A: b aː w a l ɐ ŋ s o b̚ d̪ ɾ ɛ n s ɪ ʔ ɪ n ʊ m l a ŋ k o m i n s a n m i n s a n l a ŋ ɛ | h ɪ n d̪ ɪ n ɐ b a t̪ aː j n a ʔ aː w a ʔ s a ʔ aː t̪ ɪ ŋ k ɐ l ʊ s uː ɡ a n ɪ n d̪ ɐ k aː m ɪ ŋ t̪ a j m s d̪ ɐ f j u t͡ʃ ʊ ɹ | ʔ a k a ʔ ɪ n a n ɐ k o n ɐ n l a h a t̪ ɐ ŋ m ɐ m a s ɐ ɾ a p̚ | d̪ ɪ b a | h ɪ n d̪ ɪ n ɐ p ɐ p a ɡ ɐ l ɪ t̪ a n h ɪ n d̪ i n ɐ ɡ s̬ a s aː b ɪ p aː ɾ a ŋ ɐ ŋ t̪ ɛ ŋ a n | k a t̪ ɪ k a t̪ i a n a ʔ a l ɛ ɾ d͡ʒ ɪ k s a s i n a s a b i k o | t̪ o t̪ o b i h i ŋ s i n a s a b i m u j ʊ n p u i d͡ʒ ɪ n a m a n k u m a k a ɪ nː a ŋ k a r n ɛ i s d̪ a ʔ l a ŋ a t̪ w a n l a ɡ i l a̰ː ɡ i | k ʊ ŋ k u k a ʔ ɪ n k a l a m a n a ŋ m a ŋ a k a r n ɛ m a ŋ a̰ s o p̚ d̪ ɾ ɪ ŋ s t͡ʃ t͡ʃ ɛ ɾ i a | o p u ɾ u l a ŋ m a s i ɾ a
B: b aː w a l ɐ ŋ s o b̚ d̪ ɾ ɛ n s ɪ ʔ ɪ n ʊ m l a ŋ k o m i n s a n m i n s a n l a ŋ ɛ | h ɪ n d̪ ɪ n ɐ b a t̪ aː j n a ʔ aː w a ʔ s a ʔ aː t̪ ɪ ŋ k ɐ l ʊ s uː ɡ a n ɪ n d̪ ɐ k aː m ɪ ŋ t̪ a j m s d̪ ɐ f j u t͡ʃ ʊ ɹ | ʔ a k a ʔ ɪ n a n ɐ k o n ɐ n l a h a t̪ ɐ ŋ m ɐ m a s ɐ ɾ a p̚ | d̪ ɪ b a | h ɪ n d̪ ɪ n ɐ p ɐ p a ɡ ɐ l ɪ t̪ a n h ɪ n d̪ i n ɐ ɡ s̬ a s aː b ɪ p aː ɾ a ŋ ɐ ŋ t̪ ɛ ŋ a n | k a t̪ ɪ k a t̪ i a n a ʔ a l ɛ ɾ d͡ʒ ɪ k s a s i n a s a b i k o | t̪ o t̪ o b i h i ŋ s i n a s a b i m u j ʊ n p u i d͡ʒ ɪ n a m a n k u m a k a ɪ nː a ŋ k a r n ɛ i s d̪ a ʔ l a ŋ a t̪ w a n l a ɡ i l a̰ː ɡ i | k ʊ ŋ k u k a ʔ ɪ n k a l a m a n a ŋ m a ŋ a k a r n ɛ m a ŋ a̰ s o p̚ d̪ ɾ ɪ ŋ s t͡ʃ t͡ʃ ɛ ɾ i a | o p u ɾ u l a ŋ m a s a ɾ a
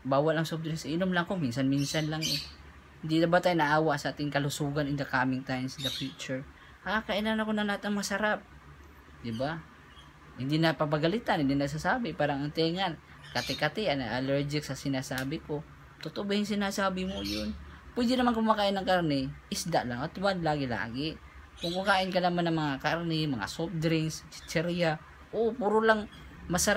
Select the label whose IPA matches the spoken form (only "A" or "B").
B